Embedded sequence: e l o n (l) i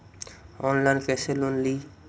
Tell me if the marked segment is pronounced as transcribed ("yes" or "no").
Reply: yes